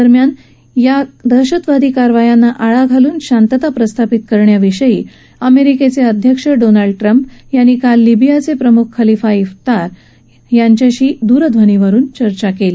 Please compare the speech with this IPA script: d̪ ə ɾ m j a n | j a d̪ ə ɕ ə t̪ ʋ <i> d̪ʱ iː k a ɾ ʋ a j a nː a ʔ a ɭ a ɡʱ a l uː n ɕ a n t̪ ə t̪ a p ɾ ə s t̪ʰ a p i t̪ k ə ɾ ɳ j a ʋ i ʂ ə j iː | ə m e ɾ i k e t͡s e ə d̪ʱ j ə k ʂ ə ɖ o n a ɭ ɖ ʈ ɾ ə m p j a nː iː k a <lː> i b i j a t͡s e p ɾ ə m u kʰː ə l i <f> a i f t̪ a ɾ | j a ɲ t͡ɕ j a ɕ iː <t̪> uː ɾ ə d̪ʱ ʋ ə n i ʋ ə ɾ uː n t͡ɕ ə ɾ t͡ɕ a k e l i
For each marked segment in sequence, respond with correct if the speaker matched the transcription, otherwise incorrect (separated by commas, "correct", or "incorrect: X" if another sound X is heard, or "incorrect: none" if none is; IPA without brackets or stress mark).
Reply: incorrect: a, correct, correct, incorrect: d̪